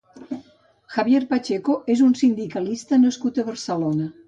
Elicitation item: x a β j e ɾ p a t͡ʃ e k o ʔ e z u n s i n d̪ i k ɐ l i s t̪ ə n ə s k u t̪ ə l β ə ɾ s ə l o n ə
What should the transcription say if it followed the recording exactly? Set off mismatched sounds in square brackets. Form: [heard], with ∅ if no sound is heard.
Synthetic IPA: x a β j e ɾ p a t͡ʃ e k o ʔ e z u n s i n d̪ i k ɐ l i s t̪ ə n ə s k u t̪ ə [∅] β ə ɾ s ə l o n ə